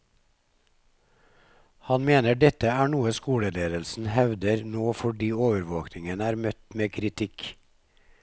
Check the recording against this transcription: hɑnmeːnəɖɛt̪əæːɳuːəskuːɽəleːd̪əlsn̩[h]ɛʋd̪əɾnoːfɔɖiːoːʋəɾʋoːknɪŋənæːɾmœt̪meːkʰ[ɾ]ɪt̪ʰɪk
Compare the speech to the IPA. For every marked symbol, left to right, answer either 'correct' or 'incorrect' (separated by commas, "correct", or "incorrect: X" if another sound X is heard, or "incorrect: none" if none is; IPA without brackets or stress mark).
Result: correct, correct